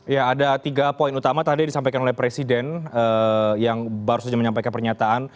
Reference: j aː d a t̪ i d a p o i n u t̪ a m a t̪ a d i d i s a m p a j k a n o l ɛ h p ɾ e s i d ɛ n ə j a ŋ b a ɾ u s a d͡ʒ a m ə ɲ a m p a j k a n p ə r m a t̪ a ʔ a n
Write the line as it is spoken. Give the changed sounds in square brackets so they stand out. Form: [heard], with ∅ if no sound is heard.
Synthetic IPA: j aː d a t̪ i [ɡ] a p o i n u t̪ a m a t̪ a d i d i s a m p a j k a n o l ɛ h p ɾ e s i d ɛ n ə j a ŋ b a ɾ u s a d͡ʒ a m ə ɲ a m p a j k a n p ə r [ɲ] a t̪ a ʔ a n